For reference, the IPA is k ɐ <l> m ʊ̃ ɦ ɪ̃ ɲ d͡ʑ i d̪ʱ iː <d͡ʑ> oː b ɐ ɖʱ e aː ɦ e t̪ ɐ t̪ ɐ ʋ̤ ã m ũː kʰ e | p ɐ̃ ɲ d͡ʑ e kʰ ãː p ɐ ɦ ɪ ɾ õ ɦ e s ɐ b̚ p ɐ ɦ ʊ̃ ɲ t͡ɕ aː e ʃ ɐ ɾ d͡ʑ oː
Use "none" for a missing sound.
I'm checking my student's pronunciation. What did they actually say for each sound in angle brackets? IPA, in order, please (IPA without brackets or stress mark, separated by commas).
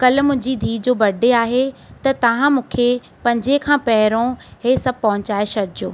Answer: l, d͡ʑ